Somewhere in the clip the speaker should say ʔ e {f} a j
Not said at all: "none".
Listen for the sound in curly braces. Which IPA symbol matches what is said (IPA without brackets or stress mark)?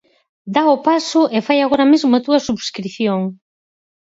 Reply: f